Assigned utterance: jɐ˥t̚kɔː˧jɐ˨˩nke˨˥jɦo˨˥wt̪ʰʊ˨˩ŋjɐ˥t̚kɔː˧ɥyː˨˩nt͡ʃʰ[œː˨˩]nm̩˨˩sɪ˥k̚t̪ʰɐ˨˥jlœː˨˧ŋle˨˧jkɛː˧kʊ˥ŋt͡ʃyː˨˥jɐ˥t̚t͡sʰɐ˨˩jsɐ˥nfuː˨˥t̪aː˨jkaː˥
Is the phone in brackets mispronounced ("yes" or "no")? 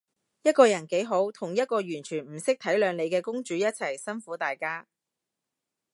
yes